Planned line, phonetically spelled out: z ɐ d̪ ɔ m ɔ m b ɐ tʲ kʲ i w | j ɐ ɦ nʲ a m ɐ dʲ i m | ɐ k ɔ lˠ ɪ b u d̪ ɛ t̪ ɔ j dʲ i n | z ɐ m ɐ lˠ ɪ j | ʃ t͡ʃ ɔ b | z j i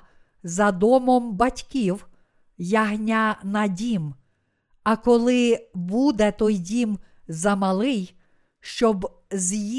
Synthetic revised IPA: z ɐ d̪ ɔ m ɔ m b ɐ tʲ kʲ i w | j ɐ ɦ nʲ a n ɐ dʲ i m | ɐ k ɔ lˠ ɪ b u d̪ ɛ t̪ ɔ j dʲ i m | z ɐ m ɐ lˠ ɪ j | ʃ t͡ʃ ɔ b | z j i